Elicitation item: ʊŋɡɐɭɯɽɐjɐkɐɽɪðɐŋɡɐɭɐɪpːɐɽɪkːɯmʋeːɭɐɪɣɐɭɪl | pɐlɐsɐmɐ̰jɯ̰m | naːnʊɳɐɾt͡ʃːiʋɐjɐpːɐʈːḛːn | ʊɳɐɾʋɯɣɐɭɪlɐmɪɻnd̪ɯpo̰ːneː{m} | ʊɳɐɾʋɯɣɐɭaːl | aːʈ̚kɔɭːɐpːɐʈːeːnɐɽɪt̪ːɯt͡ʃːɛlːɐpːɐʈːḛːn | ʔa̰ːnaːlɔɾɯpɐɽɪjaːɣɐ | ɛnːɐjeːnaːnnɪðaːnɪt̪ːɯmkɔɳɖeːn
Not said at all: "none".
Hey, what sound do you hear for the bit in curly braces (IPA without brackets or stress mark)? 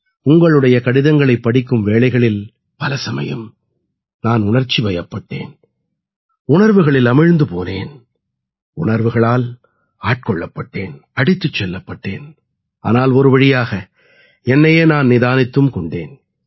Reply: n